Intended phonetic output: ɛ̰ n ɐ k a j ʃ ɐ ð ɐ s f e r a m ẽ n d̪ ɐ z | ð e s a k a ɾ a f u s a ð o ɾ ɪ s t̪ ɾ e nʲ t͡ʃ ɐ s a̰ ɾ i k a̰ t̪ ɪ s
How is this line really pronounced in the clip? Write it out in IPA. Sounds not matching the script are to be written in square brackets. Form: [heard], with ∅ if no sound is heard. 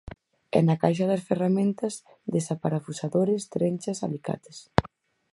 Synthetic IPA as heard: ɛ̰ n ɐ k a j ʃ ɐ ð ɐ s f e r a m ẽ n [t̪] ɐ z | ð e s a [p] a ɾ a f u s a ð o ɾ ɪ s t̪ ɾ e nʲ t͡ʃ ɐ s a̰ [l] i k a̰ t̪ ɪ s